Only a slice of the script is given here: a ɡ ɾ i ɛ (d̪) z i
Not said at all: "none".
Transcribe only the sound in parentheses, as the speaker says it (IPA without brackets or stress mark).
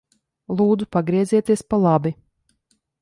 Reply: none